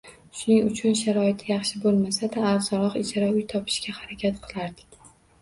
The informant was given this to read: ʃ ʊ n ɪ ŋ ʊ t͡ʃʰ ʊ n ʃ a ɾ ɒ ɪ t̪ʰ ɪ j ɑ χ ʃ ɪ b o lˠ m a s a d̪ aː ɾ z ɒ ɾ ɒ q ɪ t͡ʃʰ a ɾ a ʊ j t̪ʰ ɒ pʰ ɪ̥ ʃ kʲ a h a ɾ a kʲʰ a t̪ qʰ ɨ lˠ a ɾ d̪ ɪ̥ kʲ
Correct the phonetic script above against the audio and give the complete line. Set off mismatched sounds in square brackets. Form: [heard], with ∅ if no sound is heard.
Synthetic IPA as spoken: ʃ ʊ n ɪ ŋ ʊ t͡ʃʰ ʊ n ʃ a ɾ ɒ ɪ t̪ʰ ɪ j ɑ χ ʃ ɪ b o lˠ m a s a d̪ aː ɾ z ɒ ɾ ɒ q ɪ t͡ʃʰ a ɾ a ʊ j t̪ʰ ɒ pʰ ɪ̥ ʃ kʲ a h a ɾ a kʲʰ a t̪ qʰ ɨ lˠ a ɾ d̪ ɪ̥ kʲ